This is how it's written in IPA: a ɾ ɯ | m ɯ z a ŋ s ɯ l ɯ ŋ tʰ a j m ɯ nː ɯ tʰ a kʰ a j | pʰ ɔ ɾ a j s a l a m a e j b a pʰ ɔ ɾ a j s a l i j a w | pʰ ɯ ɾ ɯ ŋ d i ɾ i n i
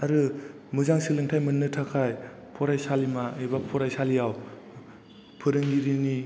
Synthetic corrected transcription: a ɾ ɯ | m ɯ z a ŋ s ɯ l ɯ ŋ tʰ a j m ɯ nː ɯ tʰ a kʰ a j | pʰ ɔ ɾ a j s a l i m a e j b a pʰ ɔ ɾ a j s a l i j a w | pʰ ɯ ɾ ɯ ŋ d i ɾ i n i